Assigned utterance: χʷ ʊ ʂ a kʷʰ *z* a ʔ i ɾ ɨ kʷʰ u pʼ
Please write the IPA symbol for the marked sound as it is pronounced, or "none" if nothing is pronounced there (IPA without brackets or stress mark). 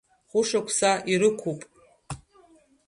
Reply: s